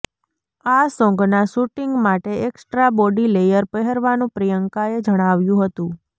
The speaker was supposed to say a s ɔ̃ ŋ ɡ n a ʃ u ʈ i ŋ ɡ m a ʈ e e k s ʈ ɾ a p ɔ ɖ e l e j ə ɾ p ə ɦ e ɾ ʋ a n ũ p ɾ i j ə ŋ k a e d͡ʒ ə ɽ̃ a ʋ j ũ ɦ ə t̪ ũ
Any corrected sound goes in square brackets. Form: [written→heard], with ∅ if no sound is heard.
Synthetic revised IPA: a s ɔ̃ ŋ ɡ n a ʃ u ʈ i ŋ ɡ m a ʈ e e k s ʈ ɾ a [p→b] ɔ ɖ [e→i] l e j ə ɾ p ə ɦ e ɾ ʋ a n ũ p ɾ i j ə ŋ k a e d͡ʒ ə ɽ̃ a ʋ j ũ ɦ ə t̪ ũ